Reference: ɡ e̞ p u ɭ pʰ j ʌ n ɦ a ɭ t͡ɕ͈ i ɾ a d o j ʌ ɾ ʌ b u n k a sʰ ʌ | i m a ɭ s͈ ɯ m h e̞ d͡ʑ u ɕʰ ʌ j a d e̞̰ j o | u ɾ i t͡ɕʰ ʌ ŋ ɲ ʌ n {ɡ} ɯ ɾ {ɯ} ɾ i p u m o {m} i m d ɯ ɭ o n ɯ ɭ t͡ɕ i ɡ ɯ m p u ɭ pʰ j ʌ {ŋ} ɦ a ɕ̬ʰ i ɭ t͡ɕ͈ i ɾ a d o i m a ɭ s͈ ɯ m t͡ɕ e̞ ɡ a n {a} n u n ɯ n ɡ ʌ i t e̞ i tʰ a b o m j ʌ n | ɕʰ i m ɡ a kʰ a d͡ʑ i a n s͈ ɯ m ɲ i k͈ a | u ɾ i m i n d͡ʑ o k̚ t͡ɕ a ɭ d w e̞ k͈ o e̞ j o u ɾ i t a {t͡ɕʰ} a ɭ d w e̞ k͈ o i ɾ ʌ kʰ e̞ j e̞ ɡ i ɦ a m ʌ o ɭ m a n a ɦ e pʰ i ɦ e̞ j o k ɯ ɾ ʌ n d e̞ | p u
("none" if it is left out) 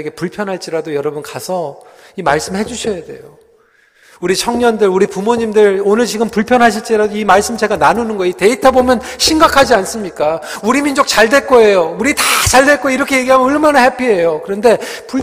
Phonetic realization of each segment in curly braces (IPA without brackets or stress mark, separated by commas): d, u, ɲ, n, a, t͡ɕ